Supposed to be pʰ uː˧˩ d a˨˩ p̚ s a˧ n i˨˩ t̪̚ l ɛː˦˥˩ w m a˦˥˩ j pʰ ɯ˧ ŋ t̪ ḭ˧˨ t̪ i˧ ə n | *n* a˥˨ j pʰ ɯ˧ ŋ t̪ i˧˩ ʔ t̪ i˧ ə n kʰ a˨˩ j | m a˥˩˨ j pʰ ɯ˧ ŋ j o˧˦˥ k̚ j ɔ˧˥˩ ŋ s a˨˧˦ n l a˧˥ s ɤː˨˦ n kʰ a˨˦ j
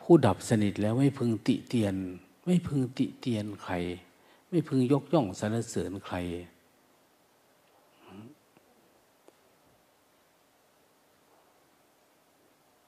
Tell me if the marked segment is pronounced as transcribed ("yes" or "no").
no